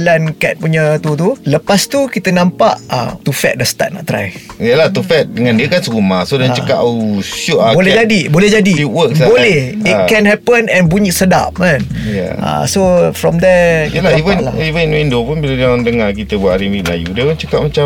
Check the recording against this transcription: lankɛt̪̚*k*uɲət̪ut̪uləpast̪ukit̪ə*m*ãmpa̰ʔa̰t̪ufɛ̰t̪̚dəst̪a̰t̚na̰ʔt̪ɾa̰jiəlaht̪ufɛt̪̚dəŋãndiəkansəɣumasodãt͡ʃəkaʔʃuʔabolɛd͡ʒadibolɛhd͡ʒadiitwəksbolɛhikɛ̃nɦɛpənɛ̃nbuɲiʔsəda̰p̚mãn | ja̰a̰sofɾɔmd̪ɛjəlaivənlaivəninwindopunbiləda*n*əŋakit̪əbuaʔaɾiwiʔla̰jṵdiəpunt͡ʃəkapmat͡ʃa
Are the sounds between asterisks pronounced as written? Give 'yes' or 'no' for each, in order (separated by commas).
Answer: no, no, no